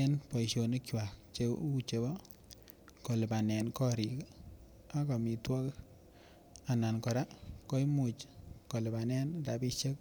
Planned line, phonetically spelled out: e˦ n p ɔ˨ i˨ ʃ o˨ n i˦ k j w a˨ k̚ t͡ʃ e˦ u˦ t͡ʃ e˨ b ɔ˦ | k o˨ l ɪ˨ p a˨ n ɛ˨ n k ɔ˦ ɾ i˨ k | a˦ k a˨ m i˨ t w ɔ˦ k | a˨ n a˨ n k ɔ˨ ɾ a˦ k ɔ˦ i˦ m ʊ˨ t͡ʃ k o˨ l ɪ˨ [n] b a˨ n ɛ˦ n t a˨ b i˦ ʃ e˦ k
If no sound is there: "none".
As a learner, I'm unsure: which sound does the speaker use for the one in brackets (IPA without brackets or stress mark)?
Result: none